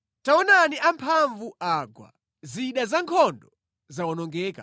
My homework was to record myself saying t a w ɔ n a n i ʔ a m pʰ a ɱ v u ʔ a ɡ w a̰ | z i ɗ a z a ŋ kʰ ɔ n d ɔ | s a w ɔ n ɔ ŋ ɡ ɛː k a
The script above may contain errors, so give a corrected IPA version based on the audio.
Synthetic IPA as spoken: t a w ɔ n a n i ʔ a m pʰ a ɱ v u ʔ a ɡ w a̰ | z i ɗ a z a ŋ kʰ ɔ n d ɔ | z a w ɔ n ɔ ŋ ɡ ɛː k a